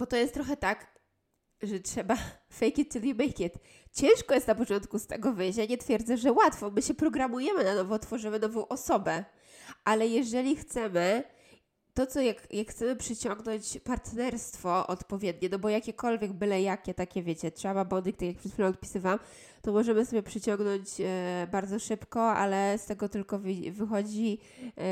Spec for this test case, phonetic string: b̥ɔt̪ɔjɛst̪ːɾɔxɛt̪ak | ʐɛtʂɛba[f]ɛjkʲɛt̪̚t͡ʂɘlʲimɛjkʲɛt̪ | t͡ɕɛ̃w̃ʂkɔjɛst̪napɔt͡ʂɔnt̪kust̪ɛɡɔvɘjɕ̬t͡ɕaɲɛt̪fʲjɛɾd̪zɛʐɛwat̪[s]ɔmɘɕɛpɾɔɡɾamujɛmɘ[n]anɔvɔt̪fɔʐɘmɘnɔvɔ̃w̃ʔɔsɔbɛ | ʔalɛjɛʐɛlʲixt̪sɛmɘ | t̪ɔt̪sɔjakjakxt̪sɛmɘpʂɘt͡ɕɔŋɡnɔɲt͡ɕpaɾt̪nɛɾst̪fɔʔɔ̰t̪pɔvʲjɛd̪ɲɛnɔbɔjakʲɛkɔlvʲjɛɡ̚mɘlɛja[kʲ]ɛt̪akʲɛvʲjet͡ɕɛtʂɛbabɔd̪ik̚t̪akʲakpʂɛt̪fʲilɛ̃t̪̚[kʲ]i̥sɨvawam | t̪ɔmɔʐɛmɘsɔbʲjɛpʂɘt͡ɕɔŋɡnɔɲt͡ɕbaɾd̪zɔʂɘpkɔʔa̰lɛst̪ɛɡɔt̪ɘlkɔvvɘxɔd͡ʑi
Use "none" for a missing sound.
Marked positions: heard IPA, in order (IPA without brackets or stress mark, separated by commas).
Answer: f, f, n, kʲ, pʲ